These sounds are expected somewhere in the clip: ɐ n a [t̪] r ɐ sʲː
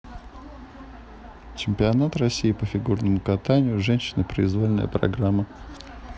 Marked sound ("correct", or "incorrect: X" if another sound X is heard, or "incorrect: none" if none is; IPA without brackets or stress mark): correct